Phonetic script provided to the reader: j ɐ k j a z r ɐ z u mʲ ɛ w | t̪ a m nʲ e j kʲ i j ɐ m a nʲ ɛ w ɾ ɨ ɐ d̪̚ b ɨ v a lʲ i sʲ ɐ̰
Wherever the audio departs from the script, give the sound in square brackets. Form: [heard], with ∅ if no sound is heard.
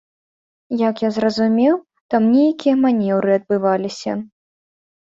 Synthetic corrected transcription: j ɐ k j a z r ɐ z u mʲ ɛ w | t̪ a m nʲ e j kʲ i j ɐ m a nʲ ɛ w ɾ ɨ ɐ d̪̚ b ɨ v a lʲ i sʲ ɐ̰